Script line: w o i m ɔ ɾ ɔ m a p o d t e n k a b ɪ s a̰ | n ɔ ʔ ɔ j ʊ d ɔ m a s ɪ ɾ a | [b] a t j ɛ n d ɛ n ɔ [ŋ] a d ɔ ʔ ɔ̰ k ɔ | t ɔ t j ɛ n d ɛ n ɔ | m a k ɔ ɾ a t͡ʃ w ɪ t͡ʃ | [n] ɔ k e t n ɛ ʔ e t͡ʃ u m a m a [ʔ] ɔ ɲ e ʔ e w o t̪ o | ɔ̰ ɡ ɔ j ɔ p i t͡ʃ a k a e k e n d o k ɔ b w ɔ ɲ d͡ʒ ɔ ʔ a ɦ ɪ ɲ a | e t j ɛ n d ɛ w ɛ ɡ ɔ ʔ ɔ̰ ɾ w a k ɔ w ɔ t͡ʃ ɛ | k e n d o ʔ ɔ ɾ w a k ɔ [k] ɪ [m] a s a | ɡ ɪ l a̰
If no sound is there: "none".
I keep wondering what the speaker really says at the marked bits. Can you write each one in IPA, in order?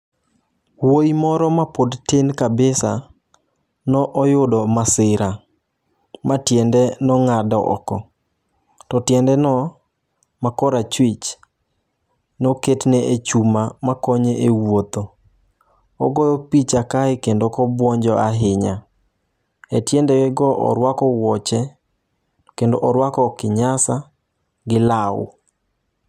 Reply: m, ŋ, n, k, k, ɲ

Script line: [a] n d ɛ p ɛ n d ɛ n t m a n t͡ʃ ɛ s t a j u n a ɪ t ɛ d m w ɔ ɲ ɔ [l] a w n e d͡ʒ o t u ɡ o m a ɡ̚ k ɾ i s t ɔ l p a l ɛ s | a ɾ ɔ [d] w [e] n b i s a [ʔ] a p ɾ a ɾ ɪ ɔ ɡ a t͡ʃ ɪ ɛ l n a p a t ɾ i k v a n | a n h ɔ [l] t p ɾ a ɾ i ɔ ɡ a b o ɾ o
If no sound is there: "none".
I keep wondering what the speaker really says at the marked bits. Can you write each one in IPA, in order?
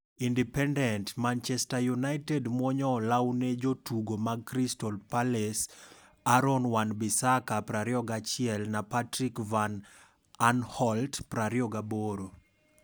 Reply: i, l, n, a, k, l

